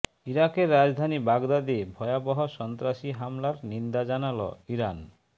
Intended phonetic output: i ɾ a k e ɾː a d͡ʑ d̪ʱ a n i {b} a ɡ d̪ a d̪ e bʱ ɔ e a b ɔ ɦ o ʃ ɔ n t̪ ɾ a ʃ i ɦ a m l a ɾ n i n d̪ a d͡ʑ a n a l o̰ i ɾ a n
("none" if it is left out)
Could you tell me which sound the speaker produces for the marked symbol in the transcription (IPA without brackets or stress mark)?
b